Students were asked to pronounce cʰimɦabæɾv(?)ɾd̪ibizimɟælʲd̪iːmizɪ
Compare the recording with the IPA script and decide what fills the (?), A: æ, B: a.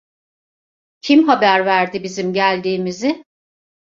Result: A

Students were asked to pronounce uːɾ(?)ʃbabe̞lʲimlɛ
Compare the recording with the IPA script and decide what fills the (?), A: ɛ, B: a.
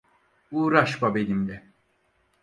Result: B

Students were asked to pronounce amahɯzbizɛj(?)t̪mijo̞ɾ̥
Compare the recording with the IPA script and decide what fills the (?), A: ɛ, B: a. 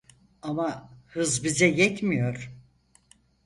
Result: A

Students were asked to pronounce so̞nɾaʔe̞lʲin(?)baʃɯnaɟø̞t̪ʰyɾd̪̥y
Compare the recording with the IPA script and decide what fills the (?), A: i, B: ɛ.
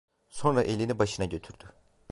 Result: A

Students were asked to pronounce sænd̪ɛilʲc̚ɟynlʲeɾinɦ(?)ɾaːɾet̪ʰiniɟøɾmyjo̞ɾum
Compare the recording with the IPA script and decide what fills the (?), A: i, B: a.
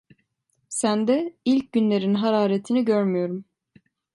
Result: B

